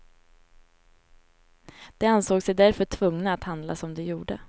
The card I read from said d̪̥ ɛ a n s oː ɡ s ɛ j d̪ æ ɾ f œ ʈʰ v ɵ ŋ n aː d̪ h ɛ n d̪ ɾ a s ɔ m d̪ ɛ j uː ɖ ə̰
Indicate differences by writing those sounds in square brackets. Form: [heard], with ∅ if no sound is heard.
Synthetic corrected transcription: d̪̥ ɛ a n s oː ɡ s ɛ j d̪ æ ɾ f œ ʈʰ v ɵ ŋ n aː [t̪] h [a] n d̪ [l] a s ɔ m d̪ ɛ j uː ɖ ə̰